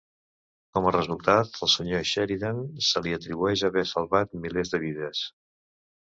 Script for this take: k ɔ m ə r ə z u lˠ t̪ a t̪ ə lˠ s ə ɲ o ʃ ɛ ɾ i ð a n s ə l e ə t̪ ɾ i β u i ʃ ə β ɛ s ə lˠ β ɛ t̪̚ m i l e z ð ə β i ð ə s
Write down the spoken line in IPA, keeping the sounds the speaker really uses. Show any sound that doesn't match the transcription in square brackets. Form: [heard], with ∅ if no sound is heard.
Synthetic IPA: k ɔ m ə r ə z u lˠ t̪ a t̪ ə lˠ s ə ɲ o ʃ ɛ ɾ i ð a n s ə l [i] ə t̪ ɾ i β u [ɛ] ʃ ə β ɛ s ə lˠ β [a] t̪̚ m i l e z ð ə β i ð ə s